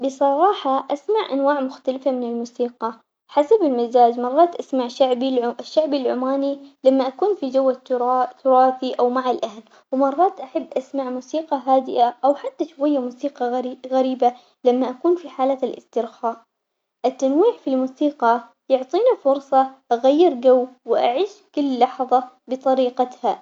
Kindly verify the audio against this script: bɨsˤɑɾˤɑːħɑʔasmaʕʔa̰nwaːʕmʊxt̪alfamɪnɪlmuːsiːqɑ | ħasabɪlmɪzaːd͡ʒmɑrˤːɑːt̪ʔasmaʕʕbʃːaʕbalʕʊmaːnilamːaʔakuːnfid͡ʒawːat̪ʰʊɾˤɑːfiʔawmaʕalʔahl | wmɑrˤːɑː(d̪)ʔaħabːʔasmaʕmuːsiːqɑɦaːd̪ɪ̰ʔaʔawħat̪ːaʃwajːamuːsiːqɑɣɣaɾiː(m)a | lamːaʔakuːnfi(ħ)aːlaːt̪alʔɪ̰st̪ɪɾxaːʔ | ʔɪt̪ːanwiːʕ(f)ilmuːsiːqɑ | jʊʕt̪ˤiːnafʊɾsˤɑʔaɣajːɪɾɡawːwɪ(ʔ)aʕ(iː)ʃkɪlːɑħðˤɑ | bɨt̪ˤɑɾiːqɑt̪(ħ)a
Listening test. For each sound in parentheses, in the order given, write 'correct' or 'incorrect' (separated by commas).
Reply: incorrect, incorrect, correct, correct, correct, correct, incorrect